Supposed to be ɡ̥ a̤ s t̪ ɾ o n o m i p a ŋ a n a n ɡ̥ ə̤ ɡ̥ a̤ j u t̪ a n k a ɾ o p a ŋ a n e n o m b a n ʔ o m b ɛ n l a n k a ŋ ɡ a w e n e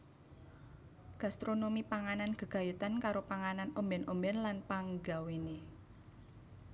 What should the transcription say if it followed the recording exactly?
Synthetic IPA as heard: ɡ̥ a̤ s t̪ ɾ o n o m i p a ŋ a n a n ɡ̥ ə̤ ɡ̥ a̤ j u t̪ a n k a ɾ o p a ŋ a n a n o m b ɛ n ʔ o m b ɛ n l a n p a ŋ ɡ a w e n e